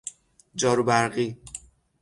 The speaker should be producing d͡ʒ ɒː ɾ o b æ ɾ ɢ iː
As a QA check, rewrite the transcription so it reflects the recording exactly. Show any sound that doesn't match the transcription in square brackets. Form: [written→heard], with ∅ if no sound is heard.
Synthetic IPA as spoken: d͡ʒ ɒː ɾ [o→u] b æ ɾ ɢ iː